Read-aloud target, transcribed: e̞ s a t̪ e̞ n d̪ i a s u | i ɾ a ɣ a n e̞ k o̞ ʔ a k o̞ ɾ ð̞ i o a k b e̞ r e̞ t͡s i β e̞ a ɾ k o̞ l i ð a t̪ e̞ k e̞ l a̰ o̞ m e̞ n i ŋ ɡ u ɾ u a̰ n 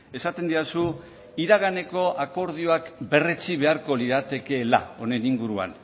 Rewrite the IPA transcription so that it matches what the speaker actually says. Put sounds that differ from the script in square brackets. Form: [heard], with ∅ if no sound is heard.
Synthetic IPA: e̞ s a t̪ e̞ n d̪ i a s u | i ɾ a ɣ a n e̞ k o̞ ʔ a k o̞ ɾ ð̞ i o a k b e̞ r e̞ t͡s i β e̞ a ɾ k o̞ l i ð a t̪ e̞ k e̞ l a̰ o̞ [n] e̞ n i ŋ ɡ u ɾ u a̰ n